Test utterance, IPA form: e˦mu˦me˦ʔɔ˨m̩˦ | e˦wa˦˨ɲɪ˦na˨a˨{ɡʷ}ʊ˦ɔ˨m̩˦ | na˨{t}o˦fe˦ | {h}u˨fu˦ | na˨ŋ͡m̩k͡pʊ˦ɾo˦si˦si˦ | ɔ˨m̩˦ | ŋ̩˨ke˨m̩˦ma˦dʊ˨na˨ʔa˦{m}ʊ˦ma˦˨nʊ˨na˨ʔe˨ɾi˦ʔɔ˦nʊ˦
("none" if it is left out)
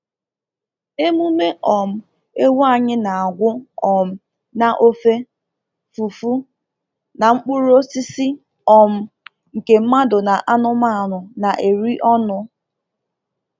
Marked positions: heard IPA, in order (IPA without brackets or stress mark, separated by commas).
ɡʷ, ʔ, f, n